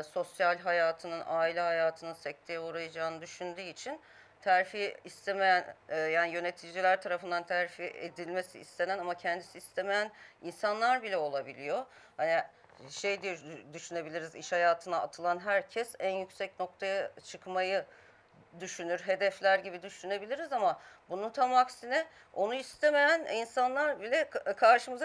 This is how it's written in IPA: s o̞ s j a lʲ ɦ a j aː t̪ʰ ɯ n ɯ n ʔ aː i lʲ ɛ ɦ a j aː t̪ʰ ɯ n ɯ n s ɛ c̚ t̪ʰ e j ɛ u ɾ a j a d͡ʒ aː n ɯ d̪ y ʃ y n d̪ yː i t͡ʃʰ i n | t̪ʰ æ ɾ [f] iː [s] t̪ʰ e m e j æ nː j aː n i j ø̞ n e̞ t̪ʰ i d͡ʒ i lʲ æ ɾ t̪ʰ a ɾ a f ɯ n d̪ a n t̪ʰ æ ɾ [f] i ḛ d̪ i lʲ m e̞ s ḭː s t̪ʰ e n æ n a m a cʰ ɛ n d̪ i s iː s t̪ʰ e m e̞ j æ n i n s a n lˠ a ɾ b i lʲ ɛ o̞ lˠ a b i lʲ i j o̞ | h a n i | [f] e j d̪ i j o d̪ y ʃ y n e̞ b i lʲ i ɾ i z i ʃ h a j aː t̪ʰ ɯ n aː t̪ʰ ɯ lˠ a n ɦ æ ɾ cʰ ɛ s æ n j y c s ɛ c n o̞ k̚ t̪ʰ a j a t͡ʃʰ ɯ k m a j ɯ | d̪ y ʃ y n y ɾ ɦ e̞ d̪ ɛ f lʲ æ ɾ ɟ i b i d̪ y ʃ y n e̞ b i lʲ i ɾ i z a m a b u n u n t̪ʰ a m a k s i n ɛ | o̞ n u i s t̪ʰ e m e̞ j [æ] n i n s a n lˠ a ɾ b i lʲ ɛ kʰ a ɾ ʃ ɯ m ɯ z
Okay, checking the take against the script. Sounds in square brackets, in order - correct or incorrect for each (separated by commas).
correct, correct, correct, incorrect, correct